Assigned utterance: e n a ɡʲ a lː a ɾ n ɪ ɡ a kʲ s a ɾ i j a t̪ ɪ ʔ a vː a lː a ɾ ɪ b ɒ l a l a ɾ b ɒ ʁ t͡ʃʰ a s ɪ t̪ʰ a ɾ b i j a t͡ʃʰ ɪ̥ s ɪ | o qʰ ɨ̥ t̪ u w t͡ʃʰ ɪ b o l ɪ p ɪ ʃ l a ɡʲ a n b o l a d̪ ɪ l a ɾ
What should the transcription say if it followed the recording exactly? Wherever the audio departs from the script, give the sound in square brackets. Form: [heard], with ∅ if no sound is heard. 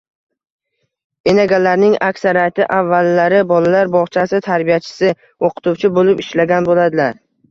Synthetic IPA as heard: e n a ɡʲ a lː a ɾ n ɪ [ŋ] a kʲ s a ɾ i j a t̪ ɪ ʔ a vː a lː a ɾ ɪ b ɒ l a l a ɾ b ɒ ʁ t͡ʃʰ a s ɪ t̪ʰ a ɾ b i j a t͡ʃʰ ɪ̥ s ɪ | o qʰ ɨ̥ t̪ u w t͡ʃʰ ɪ b o l ɪ p ɪ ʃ l a ɡʲ a n b o l a d̪ ɪ l a ɾ